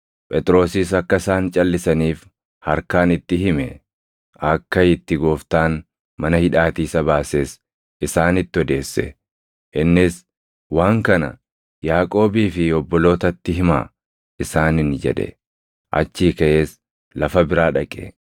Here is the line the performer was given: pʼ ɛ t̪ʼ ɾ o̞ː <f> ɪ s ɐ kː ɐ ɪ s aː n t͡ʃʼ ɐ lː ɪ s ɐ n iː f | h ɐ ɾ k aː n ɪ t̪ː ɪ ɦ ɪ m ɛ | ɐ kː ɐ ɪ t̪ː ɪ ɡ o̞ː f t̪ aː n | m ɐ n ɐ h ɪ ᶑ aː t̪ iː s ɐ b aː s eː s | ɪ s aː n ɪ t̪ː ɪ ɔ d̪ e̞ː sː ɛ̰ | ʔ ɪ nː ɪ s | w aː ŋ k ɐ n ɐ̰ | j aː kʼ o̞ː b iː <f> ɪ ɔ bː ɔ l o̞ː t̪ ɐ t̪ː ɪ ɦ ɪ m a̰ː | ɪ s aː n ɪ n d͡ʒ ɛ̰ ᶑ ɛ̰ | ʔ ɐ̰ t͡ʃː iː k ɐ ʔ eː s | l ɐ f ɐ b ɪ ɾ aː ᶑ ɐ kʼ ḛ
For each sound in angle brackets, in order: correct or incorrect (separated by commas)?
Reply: incorrect, correct